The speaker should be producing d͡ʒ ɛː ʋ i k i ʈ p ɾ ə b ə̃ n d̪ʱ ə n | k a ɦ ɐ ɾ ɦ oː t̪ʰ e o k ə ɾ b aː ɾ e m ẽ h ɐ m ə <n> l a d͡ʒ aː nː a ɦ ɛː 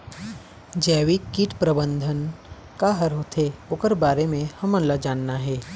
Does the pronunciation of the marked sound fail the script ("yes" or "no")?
no